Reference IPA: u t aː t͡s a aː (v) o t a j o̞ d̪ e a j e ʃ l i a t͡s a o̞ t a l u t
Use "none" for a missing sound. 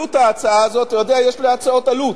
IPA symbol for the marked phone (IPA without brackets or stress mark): z